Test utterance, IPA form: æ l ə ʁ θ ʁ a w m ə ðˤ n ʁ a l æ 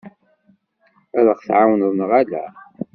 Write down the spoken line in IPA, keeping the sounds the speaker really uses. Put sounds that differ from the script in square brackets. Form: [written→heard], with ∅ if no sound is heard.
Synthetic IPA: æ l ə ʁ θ [ʁ→ʕ] a w [m→n] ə ðˤ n ʁ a l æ